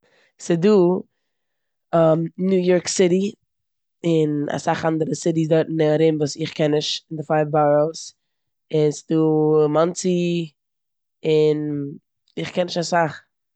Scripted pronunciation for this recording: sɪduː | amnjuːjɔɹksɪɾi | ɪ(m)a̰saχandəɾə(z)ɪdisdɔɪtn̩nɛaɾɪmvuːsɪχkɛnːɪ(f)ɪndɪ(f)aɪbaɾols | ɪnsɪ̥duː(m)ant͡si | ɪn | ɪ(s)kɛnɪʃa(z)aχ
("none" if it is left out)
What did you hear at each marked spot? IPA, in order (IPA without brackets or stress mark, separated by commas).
n, s, ʃ, f, m, χ, s